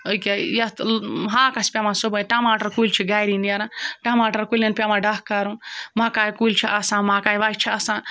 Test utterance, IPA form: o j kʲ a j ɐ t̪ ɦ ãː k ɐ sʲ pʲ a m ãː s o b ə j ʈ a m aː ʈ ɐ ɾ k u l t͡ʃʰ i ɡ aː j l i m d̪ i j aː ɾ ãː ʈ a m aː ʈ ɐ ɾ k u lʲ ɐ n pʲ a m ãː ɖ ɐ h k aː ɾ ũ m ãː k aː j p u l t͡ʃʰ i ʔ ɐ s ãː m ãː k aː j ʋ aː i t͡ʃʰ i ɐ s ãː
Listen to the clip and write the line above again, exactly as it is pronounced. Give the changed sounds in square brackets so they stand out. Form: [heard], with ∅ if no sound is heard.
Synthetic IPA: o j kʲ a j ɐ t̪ ɦ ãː k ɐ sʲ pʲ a m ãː s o b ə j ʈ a m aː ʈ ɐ ɾ k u l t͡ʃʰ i ɡ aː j [ɾ] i [n] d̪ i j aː ɾ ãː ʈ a m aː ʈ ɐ ɾ k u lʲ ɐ n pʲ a m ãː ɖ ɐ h k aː ɾ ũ m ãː k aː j [k] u l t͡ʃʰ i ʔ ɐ s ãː m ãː k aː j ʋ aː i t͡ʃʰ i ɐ s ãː